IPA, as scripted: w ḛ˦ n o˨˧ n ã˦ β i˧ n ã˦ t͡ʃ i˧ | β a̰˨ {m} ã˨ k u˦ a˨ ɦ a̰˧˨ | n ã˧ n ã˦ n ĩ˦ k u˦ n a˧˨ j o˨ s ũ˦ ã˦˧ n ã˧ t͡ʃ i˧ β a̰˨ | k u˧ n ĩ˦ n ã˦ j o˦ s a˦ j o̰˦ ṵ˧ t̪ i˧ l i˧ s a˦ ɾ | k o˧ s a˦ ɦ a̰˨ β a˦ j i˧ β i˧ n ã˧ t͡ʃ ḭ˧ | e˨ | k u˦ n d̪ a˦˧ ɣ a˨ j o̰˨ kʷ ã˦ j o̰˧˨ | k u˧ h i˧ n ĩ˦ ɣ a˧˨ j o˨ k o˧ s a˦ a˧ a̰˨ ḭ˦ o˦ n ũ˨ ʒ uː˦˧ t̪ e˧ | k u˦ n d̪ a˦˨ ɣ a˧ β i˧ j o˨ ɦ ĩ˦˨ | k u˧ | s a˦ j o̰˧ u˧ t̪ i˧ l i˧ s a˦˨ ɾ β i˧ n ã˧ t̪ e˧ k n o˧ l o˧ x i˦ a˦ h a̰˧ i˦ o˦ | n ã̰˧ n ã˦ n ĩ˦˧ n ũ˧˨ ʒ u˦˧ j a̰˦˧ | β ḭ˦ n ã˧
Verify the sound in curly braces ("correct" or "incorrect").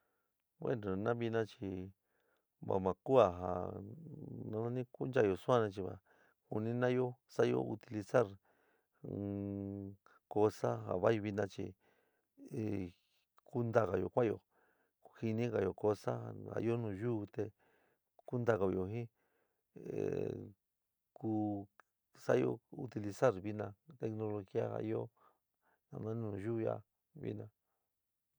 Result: correct